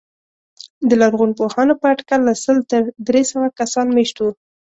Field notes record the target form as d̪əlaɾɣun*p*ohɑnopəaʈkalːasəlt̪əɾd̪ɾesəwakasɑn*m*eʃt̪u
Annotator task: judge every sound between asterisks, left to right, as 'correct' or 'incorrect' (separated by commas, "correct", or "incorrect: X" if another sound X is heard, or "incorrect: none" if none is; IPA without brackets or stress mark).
correct, correct